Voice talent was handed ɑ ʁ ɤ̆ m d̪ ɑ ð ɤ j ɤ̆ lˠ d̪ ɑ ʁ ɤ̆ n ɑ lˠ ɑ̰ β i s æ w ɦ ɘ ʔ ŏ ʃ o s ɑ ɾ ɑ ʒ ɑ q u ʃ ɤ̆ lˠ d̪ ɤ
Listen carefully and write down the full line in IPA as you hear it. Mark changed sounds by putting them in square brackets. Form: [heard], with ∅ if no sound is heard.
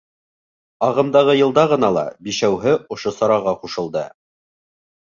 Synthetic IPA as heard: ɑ ʁ ɤ̆ m d̪ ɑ [ʁ] ɤ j ɤ̆ lˠ d̪ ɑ ʁ ɤ̆ n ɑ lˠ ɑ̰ [b] i [ʃ] æ w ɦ ɘ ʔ ŏ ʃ o s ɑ ɾ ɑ [ʁ] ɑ q u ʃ ɤ̆ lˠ d̪ ɤ

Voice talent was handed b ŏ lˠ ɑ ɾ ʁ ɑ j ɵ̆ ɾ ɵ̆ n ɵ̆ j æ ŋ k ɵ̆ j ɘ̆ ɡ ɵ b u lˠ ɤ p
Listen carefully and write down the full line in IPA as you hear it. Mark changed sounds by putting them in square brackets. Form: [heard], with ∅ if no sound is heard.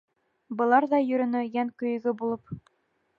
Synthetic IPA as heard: b [ɤ̆] lˠ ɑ ɾ [ð] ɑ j ɵ̆ ɾ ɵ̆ n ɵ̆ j æ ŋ k ɵ̆ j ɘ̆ ɡ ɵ b u lˠ ɤ p

